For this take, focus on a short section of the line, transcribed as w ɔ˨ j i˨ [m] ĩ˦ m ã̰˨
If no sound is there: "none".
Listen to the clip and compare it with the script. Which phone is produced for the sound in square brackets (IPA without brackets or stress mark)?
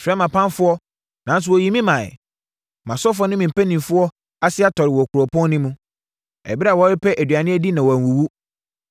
m